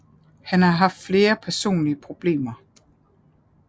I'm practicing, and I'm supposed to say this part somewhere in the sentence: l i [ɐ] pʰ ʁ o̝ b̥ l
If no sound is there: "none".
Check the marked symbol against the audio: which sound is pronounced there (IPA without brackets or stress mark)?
ə